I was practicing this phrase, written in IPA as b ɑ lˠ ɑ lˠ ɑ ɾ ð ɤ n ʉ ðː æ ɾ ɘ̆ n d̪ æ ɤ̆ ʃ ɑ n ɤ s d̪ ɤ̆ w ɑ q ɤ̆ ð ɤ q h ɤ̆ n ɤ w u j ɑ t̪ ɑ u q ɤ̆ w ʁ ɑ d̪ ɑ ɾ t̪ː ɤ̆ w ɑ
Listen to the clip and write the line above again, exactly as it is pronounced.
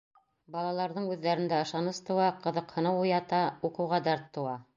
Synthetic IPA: b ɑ lˠ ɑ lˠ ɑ ɾ ð ɤ ɴ ʉ ðː æ ɾ ɘ̆ n d̪ æ ɤ̆ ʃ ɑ n ɤ s t̪ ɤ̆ w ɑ q ɤ̆ ð ɤ q h ɤ̆ n ɤ w u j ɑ t̪ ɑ u q ɤ̆ w ʁ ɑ d̪ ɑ ɾ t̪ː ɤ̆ w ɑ